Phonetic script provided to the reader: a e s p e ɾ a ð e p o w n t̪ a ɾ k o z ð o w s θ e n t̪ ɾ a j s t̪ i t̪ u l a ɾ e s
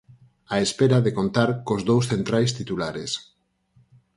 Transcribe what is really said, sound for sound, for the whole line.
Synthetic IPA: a e s p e ɾ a ð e k o n t̪ a ɾ k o z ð o w s θ e n t̪ ɾ a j s t̪ i t̪ u l a ɾ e s